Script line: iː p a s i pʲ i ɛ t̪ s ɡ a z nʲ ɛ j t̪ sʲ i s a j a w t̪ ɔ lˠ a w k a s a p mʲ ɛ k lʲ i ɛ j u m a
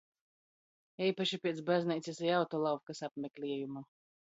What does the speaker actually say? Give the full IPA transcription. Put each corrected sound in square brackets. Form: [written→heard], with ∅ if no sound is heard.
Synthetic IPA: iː p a [s→ʃ] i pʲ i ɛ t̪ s [ɡ→b] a z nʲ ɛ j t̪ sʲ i s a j a w t̪ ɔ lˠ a w k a s a p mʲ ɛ k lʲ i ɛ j u m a